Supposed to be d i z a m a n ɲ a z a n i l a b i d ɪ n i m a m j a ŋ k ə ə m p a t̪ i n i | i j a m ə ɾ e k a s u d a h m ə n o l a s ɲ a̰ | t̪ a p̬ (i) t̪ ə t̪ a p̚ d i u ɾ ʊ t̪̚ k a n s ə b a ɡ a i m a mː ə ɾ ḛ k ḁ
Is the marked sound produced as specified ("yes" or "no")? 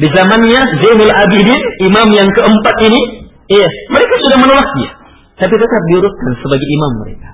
yes